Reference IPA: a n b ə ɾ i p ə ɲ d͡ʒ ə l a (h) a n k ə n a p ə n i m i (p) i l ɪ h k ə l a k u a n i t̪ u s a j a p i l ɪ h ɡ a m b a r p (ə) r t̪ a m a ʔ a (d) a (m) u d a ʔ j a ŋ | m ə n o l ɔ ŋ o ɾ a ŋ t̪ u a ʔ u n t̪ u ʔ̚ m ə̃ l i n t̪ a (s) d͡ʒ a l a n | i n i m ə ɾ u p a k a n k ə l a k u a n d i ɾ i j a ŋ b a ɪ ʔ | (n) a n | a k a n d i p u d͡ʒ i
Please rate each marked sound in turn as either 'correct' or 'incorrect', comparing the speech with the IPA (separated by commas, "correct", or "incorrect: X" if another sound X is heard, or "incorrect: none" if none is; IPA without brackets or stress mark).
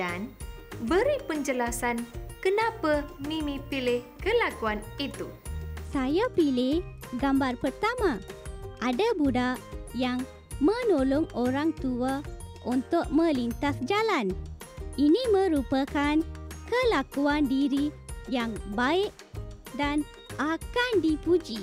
incorrect: s, correct, correct, correct, incorrect: b, correct, incorrect: d